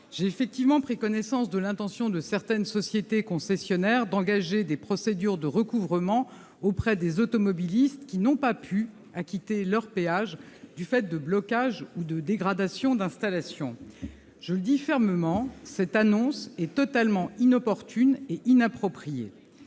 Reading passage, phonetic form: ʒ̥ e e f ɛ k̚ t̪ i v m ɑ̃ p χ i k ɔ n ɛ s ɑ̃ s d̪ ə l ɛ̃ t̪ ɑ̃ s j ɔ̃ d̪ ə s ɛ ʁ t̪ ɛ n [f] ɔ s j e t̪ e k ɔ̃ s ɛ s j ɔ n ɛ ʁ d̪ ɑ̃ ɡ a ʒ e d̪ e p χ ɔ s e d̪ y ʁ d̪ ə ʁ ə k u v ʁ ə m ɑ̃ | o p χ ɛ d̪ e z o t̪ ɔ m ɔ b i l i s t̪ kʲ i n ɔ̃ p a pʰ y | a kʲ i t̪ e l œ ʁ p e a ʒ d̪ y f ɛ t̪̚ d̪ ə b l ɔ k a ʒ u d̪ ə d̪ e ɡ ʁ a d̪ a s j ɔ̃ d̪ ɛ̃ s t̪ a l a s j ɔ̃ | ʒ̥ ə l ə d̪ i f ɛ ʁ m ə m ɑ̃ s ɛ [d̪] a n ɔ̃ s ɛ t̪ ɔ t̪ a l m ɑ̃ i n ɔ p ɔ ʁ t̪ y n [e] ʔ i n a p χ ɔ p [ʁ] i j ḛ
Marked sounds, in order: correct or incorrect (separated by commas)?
incorrect, incorrect, correct, incorrect